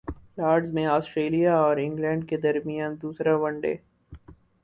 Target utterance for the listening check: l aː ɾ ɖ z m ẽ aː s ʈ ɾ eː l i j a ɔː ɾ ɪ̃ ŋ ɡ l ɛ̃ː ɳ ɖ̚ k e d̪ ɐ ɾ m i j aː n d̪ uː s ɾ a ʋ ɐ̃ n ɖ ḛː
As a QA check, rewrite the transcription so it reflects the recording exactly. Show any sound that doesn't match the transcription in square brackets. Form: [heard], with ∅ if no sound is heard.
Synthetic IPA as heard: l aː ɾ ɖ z m ẽ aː s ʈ ɾ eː l i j a ɔː ɾ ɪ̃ ŋ ɡ l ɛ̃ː ɳ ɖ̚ k e d̪ ɐ ɾ m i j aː n d̪ uː s ɾ a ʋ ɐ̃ [ɳ] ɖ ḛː